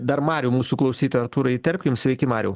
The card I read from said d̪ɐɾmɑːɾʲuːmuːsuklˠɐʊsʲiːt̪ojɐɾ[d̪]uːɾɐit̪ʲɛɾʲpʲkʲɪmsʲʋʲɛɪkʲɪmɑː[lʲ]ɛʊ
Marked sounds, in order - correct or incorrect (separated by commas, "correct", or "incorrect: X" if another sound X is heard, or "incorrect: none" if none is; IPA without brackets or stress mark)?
incorrect: t̪, incorrect: ɾʲ